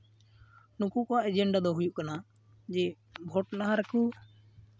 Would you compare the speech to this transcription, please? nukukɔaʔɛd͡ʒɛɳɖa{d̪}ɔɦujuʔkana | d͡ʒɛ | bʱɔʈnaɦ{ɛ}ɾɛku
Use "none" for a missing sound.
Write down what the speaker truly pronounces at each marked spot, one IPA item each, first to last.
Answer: d̪, a

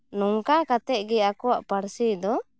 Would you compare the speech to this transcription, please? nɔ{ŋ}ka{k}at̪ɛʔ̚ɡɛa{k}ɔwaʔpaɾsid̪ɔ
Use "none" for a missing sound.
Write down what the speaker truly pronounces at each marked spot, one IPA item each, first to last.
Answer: ŋ, k, k

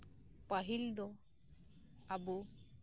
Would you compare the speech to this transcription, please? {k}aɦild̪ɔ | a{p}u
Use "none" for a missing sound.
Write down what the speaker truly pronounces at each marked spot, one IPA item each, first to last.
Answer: p, b

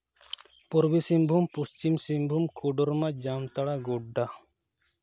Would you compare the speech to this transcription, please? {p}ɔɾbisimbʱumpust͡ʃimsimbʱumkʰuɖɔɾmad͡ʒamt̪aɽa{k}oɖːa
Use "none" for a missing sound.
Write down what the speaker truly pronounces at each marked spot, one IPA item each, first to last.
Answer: p, ɡ

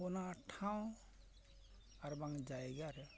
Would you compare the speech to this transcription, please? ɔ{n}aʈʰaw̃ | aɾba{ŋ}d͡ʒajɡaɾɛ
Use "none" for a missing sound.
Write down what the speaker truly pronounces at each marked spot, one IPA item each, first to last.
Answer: n, ŋ

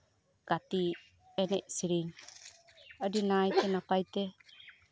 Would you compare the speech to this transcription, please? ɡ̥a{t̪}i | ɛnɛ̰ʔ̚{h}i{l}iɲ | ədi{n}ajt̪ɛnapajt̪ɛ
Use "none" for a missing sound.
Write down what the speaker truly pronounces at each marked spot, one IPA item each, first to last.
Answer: t̪, s, ɾ, n

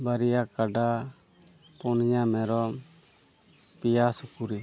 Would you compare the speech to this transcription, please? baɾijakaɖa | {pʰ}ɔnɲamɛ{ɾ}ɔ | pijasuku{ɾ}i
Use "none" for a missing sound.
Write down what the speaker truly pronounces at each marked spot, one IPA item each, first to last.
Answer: p, ɾ, ɾ

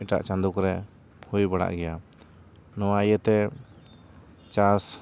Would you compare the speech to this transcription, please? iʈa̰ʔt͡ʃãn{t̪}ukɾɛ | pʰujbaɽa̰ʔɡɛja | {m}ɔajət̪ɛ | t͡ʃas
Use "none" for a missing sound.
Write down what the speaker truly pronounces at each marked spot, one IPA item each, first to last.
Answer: d̪, n

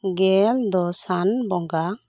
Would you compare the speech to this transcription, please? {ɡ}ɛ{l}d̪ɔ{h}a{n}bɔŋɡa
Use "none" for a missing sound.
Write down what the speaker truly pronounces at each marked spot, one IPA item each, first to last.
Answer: ɡ, l, s, n

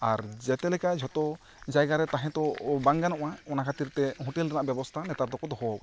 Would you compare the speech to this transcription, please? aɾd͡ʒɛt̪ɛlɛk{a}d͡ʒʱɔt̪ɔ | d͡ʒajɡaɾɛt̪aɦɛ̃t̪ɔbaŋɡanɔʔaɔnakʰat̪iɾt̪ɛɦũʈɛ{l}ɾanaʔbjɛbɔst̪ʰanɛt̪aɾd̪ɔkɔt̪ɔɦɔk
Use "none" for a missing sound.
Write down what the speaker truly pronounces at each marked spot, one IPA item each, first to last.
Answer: a, l

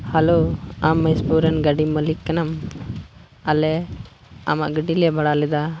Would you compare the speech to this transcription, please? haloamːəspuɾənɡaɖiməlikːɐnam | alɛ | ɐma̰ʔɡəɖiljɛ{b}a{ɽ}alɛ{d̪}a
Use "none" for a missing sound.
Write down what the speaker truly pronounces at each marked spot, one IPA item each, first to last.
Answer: b, ɽ, d̪

